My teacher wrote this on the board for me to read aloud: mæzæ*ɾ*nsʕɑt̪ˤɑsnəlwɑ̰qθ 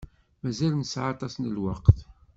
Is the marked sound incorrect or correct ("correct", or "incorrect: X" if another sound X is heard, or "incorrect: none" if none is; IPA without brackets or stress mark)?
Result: incorrect: l